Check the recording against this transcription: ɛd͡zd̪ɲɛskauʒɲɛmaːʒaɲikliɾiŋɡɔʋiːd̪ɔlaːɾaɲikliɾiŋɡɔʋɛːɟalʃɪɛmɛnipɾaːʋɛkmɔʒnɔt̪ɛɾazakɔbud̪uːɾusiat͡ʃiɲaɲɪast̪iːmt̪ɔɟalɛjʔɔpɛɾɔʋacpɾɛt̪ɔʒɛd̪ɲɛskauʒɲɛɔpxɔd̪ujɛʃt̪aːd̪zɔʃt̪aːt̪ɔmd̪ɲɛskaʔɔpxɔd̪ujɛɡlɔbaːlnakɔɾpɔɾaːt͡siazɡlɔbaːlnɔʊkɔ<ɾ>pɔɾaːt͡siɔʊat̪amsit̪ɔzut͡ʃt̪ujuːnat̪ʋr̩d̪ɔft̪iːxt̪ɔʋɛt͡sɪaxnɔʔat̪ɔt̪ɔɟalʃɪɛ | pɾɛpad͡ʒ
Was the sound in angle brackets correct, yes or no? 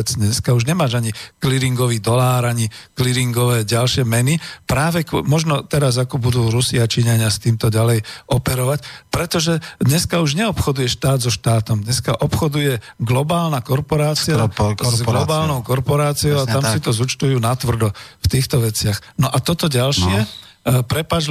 yes